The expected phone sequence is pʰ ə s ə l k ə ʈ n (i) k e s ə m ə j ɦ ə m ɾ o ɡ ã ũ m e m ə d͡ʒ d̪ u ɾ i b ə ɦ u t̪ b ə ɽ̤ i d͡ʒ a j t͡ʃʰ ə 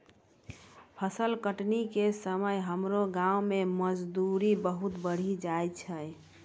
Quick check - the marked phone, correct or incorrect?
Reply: correct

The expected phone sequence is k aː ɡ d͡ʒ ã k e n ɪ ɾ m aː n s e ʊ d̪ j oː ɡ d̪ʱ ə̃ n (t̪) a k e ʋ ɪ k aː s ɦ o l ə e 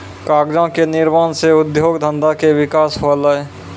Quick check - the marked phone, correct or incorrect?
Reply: incorrect: d̪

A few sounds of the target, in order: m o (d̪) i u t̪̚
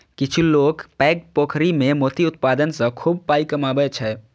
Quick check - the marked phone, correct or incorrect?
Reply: incorrect: t̪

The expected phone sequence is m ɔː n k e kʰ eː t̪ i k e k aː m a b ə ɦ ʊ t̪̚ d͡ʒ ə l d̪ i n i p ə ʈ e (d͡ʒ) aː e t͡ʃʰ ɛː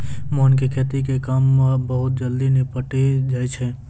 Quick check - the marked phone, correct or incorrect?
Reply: correct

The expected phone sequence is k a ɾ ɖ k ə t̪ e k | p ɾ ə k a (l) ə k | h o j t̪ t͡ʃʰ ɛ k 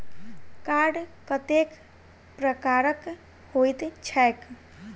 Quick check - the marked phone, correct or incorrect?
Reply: incorrect: ɾ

